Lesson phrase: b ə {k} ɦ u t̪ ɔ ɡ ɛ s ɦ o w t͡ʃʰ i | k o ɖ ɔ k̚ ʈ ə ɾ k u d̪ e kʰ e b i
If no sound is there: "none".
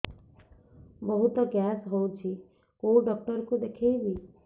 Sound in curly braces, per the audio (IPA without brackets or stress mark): none